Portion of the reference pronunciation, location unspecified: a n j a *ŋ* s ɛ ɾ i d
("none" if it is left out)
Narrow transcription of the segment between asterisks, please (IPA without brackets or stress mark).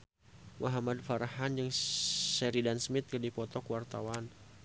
ŋ